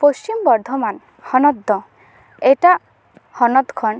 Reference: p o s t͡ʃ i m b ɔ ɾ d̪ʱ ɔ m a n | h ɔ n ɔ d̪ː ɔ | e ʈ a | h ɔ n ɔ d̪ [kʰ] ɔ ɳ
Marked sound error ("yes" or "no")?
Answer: no